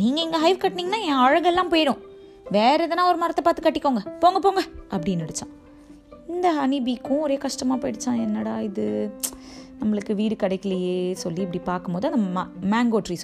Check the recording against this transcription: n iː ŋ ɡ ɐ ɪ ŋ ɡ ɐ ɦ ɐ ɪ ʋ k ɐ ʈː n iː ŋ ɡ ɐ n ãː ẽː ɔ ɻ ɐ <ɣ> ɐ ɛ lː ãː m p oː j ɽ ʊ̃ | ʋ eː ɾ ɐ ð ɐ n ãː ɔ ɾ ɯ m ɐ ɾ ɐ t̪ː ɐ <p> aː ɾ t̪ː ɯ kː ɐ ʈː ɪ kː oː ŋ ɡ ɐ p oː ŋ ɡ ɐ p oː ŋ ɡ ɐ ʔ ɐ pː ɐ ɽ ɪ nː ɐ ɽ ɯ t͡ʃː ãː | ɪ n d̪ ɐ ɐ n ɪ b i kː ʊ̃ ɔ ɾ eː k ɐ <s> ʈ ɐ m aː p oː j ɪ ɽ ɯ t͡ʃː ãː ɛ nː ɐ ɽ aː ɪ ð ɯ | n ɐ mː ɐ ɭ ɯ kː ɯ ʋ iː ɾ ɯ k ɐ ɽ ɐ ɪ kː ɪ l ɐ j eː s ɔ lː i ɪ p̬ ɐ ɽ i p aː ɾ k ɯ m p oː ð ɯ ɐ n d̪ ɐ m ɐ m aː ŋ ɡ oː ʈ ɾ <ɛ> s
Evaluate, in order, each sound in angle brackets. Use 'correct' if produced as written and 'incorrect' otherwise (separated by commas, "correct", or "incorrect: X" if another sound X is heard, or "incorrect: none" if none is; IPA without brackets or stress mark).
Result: correct, correct, incorrect: ʂ, incorrect: i